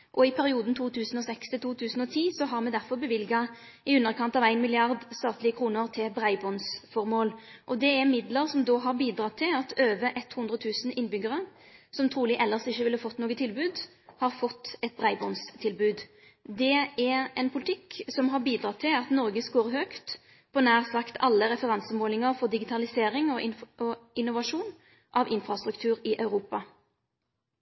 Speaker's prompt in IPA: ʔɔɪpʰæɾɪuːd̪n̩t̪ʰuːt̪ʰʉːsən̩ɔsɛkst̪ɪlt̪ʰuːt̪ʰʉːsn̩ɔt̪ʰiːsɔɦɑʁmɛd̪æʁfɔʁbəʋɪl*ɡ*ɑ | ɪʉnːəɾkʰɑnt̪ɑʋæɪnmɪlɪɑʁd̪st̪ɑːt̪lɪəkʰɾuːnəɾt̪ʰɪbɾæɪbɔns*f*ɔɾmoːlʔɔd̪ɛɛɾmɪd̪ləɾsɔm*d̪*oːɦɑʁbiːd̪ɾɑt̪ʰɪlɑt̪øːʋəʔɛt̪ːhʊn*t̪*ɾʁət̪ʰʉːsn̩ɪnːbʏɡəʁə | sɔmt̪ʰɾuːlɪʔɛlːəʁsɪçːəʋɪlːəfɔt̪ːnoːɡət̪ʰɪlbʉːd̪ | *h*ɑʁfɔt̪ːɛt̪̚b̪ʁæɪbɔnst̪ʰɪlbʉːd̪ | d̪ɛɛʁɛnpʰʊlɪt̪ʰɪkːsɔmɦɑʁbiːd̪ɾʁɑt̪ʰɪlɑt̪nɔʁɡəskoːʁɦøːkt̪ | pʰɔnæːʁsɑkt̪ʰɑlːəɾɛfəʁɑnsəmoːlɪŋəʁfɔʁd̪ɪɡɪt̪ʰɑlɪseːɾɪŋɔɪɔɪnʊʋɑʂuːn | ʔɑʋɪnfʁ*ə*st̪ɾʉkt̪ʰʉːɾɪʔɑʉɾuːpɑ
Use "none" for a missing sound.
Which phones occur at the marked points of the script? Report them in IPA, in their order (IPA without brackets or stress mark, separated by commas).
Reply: ɡ, f, d̪, d̪, h, ɑ